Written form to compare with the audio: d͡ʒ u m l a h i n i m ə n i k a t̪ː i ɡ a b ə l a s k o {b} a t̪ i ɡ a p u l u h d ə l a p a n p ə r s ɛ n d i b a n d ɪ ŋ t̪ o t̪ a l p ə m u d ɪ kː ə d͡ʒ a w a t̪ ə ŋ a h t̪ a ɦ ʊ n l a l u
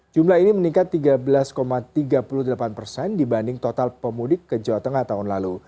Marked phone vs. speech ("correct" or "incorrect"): incorrect